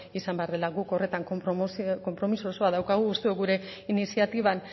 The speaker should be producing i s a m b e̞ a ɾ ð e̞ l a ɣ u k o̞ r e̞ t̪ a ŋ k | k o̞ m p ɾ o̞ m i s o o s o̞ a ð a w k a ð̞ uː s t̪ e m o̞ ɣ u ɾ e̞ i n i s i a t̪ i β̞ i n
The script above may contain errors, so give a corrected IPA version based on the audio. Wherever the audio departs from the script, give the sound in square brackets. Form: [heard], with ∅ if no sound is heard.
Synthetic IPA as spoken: i s a m b e̞ a ɾ ð e̞ l a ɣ u k o̞ r e̞ t̪ a ŋ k | k o̞ m p ɾ o̞ m i s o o s o̞ a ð a w k a [ɣ̞] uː s t̪ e [∅] o̞ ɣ u ɾ e̞ i n i s i a t̪ i β̞ [a] n